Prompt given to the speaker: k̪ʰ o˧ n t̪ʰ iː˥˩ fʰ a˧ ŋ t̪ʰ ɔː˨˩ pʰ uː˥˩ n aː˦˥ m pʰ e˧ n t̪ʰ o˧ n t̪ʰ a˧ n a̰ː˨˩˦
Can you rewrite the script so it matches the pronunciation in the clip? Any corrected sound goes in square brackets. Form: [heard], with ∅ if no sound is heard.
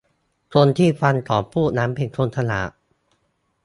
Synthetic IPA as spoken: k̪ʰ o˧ n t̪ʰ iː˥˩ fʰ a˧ [n] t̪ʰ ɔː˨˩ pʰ uː˥˩ n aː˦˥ m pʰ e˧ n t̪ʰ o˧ n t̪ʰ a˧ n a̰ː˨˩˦